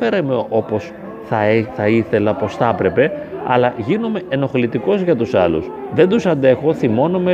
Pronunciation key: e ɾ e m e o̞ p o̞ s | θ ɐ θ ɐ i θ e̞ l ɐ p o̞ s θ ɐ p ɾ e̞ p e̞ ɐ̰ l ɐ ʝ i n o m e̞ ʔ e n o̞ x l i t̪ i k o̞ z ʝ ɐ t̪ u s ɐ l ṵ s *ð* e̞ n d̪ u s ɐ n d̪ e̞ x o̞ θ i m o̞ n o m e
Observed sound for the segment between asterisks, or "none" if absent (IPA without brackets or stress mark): ð